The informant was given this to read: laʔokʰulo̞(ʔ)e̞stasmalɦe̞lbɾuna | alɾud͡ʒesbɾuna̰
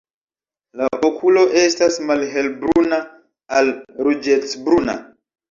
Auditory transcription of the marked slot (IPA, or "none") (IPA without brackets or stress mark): ʔ